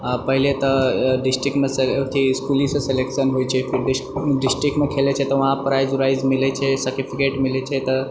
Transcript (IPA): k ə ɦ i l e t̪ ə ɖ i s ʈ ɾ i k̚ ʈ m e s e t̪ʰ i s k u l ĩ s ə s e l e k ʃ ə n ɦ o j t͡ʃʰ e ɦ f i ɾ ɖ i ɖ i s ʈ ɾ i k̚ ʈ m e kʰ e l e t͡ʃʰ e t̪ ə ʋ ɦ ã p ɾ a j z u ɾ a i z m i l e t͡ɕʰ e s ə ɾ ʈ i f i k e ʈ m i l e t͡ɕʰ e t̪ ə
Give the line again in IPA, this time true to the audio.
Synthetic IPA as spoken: p ə ɦ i l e t̪ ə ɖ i s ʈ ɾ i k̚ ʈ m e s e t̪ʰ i s k u l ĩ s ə s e l e k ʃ ə n ɦ o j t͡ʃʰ e f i ɾ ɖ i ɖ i s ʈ ɾ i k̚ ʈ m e kʰ e l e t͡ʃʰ e t̪ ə ʋ ɦ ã p ɾ a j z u ɾ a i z m i l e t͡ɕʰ e s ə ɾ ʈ i f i k e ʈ m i l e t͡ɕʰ e t̪ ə